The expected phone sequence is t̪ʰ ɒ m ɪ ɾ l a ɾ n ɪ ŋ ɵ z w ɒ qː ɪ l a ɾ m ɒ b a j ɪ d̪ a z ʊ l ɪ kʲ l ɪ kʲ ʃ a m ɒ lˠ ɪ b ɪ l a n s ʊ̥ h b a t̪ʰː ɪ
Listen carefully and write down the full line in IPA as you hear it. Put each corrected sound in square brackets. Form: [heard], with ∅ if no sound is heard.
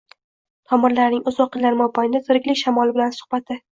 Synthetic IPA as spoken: t̪ʰ ɒ m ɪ ɾ l a ɾ n ɪ ŋ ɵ z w ɒ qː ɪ l a ɾ m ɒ b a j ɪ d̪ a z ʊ [ɾ] ɪ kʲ l ɪ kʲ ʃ a m ɒ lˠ ɪ b ɪ l a n s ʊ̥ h b a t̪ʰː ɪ

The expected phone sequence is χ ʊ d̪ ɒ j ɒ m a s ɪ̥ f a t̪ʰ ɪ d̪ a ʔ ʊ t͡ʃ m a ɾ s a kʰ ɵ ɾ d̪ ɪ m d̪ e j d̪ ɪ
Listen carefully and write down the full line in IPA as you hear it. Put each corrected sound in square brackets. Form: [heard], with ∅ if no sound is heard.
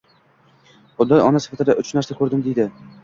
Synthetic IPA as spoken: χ ʊ d̪ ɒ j ɒ [n] a s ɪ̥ f a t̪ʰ ɪ d̪ a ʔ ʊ t͡ʃ [n] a ɾ s a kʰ ɵ ɾ d̪ ɪ m d̪ e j d̪ ɪ

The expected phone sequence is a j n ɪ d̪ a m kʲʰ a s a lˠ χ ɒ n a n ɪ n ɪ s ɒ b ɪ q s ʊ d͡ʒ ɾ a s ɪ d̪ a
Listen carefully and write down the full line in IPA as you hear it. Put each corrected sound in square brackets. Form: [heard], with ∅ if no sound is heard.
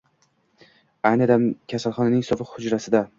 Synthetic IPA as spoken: a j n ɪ d̪ a m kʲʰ a s a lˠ χ ɒ n a n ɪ [ŋ] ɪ s ɒ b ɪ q [h] ʊ d͡ʒ ɾ a s ɪ d̪ a

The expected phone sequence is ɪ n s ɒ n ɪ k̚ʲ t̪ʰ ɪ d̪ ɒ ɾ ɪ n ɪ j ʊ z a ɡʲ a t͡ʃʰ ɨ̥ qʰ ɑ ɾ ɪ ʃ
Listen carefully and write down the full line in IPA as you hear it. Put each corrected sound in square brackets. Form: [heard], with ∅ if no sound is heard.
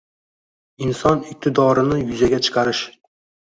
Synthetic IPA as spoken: ɪ n s ɒ n ɪ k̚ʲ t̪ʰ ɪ d̪ ɒ ɾ ɪ n ɪ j ʊ z a ɡʲ a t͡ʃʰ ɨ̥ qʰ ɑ ɾ ɪ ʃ

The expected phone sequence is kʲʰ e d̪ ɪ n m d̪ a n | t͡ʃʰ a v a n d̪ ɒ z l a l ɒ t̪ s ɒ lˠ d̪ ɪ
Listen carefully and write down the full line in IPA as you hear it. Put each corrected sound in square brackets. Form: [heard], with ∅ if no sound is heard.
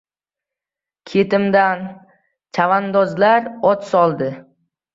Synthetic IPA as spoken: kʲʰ e [t̪] ɪ [∅] m d̪ a n | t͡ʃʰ a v a n d̪ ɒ z l a [ɾ] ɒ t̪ s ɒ lˠ d̪ ɪ

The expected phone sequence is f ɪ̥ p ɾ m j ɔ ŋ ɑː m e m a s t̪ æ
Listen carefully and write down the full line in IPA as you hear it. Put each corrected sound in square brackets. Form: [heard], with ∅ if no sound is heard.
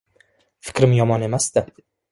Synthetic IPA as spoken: f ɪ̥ [k] ɾ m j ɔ [m] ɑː [n] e m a s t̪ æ

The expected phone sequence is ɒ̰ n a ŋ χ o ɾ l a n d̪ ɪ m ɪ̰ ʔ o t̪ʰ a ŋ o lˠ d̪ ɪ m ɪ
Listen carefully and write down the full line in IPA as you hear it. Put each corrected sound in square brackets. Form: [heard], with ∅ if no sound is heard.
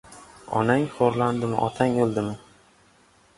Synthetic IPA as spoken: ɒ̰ n a ŋ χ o ɾ l a n d̪ ɪ m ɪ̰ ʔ [ɒ] t̪ʰ a ŋ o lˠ d̪ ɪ m ɪ

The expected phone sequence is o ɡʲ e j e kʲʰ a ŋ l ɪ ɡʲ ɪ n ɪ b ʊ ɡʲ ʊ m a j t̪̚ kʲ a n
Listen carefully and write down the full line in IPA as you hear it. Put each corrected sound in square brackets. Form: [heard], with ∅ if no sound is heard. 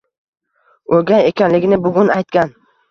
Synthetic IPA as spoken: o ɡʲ [a] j e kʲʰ a [n] l ɪ ɡʲ ɪ n ɪ b ʊ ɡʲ ʊ [n] a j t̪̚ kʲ a n

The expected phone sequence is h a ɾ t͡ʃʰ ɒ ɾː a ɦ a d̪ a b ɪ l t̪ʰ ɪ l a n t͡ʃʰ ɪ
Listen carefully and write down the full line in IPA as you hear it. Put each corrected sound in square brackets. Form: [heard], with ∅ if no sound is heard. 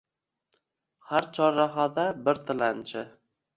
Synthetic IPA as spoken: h a ɾ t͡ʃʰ ɒ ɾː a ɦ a d̪ a b ɪ [ɾ] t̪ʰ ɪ l a n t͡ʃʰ ɪ

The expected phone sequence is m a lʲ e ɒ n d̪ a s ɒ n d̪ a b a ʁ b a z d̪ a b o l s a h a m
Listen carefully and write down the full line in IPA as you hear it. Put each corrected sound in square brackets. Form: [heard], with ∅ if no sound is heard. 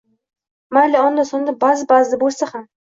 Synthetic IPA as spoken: m a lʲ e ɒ n d̪ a s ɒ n d̪ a b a [z] b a z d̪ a b o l s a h a m

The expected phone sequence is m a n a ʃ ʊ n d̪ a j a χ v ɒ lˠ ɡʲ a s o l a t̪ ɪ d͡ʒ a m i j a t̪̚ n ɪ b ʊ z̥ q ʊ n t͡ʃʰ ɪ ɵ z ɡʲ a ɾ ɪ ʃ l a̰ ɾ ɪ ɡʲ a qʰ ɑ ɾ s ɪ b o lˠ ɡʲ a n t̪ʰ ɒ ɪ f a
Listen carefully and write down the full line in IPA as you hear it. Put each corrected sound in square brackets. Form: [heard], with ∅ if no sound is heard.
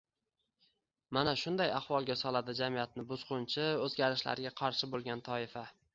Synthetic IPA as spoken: m a n a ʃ ʊ n d̪ a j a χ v ɒ lˠ ɡʲ a s [ɒ] l a [d̪] ɪ d͡ʒ a m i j a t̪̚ n ɪ b ʊ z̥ q ʊ n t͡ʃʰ ɪ ɵ z ɡʲ a ɾ ɪ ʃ l a̰ ɾ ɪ ɡʲ a qʰ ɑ ɾ [ʃ] ɪ b o lˠ ɡʲ a n t̪ʰ ɒ ɪ f a

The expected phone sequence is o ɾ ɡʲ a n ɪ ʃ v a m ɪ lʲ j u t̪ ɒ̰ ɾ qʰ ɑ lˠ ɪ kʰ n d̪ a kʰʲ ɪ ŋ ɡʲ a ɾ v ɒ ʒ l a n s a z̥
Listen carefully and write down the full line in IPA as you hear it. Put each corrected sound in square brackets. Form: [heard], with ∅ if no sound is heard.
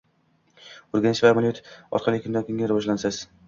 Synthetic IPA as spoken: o ɾ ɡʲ a n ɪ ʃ v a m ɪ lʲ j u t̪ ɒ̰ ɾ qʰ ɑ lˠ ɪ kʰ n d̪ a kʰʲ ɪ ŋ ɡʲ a ɾ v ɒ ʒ l a n s a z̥

